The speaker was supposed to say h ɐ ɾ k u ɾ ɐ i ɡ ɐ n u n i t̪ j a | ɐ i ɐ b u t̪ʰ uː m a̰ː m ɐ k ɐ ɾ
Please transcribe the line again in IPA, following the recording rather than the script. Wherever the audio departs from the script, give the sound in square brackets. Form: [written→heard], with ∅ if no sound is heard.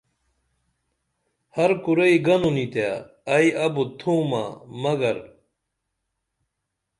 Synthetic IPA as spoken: h ɐ ɾ k u ɾ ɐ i ɡ ɐ n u n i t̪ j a | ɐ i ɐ b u t̪ʰ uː m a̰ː m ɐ [k→ɡ] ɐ ɾ